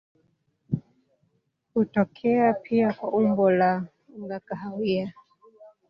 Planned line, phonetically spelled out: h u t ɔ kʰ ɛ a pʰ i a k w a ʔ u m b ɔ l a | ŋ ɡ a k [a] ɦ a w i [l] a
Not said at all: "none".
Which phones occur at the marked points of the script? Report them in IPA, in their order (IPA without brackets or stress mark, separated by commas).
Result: a, none